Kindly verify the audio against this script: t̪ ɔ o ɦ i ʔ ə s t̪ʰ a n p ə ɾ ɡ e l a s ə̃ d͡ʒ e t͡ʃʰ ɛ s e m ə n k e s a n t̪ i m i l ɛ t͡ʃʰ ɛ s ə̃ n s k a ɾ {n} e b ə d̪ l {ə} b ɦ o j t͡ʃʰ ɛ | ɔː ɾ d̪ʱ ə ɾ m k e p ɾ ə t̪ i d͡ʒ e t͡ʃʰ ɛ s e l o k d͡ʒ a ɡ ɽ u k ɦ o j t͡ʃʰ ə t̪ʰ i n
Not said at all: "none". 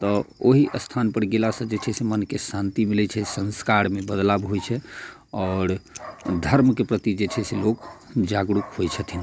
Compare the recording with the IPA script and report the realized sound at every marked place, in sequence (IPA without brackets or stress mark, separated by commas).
m, a